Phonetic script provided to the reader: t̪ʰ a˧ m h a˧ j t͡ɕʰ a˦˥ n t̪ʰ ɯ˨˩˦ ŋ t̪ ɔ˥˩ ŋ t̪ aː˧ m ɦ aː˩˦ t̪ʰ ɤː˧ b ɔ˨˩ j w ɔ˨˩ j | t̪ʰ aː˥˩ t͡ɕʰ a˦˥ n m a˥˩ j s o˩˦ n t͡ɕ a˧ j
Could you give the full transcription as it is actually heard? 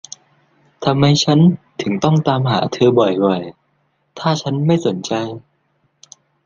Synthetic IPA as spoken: t̪ʰ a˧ m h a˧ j t͡ɕʰ a˦˥ n t̪ʰ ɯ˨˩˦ ŋ t̪ ɔ˥˩ ŋ t̪ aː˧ m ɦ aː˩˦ t̪ʰ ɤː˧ b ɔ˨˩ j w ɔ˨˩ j | t̪ʰ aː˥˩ t͡ɕʰ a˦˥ n m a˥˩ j s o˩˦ n t͡ɕ a˧ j